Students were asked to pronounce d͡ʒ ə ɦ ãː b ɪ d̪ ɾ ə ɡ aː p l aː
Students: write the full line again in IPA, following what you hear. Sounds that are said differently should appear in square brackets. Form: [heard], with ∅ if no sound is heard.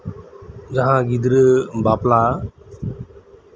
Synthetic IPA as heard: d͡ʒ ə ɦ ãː [ɡ] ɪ d̪ ɾ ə [b] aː p l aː